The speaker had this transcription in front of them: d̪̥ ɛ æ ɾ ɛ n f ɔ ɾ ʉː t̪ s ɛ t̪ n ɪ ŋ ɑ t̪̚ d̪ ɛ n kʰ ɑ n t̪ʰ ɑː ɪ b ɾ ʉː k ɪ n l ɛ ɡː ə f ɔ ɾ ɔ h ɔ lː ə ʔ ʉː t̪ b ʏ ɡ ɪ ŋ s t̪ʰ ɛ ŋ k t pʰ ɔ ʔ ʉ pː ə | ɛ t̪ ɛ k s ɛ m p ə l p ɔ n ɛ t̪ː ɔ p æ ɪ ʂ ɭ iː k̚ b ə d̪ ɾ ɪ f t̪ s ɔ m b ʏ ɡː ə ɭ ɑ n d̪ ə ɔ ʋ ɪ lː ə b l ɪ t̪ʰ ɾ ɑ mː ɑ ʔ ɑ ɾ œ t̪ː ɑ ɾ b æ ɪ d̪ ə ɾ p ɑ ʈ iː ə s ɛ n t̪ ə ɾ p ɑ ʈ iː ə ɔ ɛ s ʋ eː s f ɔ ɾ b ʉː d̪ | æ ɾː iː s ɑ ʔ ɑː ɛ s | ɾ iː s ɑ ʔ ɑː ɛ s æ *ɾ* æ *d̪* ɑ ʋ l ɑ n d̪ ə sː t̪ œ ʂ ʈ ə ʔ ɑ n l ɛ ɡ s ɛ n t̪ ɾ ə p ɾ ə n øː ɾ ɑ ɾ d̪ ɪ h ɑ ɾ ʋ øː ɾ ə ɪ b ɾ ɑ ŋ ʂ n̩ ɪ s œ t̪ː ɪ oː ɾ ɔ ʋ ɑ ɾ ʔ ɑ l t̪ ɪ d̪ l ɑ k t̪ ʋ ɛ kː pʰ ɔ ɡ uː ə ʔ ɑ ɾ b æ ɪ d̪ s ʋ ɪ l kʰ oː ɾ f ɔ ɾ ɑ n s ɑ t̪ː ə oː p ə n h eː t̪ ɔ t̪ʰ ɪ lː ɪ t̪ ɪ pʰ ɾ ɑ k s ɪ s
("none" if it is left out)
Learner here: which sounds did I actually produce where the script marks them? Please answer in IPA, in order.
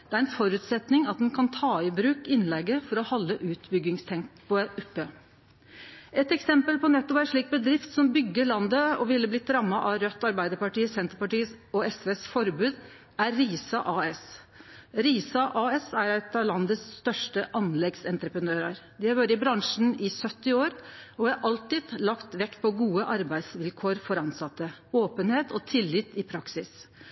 ɾ, t̪

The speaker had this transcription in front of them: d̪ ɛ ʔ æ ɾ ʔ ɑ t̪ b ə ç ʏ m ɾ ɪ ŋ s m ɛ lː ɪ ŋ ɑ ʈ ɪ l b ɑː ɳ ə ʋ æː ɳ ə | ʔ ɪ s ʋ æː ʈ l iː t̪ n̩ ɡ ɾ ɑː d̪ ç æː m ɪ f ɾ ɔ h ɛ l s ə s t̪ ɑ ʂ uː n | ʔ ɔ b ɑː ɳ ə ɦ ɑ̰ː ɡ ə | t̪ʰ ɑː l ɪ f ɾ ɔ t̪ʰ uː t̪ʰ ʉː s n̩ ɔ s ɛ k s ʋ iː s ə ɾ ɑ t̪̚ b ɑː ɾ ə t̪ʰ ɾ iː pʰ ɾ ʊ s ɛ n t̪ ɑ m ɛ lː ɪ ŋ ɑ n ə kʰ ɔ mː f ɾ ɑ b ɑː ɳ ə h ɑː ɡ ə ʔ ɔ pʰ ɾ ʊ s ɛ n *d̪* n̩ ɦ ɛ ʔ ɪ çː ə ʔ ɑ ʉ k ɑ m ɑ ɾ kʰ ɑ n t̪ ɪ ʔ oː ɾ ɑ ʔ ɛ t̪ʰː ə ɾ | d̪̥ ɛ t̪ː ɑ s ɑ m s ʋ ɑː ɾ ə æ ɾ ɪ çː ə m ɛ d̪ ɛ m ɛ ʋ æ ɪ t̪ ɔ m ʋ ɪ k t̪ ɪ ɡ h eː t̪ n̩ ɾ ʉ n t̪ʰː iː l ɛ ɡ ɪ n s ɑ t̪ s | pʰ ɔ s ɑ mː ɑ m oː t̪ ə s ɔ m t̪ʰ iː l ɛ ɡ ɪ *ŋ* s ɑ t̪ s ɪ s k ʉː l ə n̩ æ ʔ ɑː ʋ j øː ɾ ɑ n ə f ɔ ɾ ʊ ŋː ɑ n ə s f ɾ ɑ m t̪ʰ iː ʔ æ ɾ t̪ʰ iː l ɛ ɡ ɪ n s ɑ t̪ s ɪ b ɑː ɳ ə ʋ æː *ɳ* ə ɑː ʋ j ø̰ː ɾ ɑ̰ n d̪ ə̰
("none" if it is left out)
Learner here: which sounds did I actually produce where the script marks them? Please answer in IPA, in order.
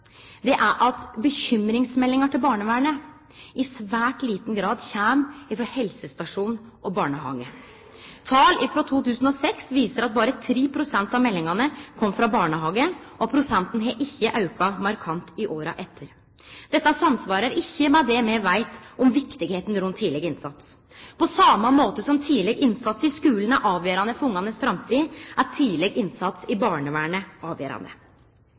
t̪, n, ɳ

